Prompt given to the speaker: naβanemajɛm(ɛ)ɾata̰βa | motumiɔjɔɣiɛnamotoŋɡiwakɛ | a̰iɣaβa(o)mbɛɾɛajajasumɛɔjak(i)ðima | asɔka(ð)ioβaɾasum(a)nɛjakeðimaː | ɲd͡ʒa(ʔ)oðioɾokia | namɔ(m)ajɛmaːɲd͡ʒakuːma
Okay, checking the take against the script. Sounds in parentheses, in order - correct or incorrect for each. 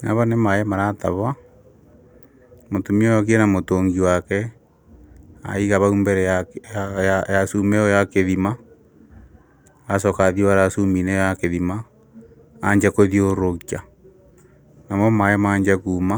incorrect, incorrect, incorrect, correct, incorrect, incorrect, correct

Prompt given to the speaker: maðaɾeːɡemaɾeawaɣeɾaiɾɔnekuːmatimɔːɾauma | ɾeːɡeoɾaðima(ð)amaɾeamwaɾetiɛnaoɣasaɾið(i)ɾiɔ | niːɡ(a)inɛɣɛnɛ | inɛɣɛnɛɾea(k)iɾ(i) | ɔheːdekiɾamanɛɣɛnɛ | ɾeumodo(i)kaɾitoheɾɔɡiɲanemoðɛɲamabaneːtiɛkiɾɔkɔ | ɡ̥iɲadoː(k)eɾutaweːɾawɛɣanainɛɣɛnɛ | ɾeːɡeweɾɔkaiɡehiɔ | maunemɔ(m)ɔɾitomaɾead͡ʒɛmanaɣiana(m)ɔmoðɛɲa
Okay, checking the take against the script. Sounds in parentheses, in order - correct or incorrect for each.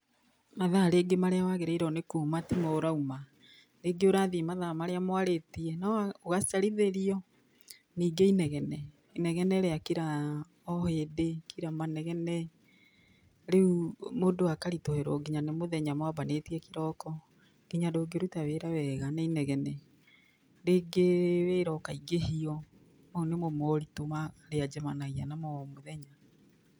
correct, incorrect, incorrect, correct, incorrect, incorrect, incorrect, correct, correct

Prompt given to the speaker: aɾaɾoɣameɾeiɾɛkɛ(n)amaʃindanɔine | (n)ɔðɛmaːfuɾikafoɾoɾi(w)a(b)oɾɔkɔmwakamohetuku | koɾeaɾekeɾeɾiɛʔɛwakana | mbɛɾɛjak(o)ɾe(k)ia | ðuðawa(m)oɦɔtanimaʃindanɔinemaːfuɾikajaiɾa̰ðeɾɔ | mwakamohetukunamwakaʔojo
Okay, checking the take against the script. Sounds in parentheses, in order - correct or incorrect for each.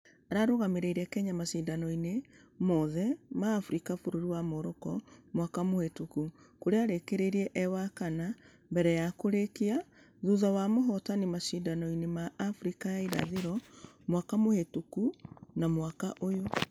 incorrect, incorrect, correct, incorrect, correct, correct, correct

